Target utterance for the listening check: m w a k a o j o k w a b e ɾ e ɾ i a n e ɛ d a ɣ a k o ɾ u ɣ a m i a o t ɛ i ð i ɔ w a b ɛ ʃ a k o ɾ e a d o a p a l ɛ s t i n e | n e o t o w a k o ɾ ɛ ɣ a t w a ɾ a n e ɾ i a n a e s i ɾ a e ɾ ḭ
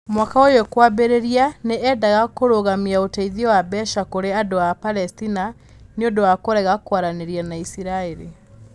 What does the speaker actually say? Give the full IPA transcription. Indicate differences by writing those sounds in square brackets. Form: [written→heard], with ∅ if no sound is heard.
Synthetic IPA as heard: m w a k a o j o k w a b e ɾ e ɾ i a n e ɛ d a ɣ a k o ɾ [u→o] ɣ a m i a o t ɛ i ð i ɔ w a b ɛ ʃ a k o ɾ e a d o a p a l ɛ s t i n [e→a] | n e o [t→d] o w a k o ɾ ɛ ɣ a [t→k] w a ɾ a n e ɾ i a n a [e→i] s i ɾ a e ɾ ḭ

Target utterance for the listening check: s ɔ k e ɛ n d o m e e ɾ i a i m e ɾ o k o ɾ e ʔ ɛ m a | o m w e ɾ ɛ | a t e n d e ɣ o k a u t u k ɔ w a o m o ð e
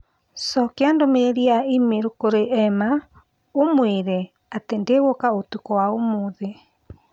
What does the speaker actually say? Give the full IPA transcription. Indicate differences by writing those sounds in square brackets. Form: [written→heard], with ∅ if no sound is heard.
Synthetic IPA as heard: s ɔ k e [ɛ→a] n d o m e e ɾ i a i m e ɾ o k o ɾ e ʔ ɛ m a | o m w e ɾ ɛ | a t e n d e ɣ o k a [u→o] t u k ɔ w a o m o ð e

